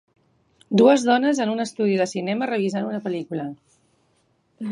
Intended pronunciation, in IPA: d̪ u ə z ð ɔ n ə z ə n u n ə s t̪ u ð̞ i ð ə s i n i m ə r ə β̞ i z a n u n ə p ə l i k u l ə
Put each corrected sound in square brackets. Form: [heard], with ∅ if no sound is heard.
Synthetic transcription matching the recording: d̪ u ə z ð ɔ n ə z ə n u n ə s t̪ u ð̞ i ð ə s i n [ɛ] m ə r ə β̞ i z a n u n ə p ə l i k u l ə